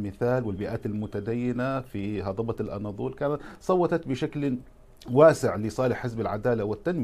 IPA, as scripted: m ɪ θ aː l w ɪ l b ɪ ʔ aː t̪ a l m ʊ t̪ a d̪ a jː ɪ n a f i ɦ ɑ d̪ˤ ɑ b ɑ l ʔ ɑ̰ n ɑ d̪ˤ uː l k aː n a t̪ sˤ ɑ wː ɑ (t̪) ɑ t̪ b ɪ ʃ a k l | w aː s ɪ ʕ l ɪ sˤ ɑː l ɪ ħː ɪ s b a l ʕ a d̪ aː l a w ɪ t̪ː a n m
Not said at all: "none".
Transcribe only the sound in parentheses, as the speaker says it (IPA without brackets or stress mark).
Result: t̪